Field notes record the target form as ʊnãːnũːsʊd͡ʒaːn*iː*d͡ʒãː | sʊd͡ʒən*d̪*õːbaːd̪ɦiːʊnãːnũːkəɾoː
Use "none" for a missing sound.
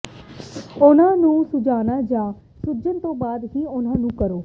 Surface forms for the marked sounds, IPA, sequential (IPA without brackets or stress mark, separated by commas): aː, t̪